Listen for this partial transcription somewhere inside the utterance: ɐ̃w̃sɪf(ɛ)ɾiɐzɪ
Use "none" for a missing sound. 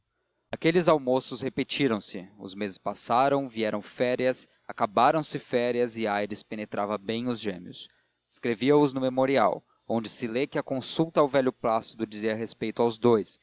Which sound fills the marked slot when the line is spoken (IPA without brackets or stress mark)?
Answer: ɛ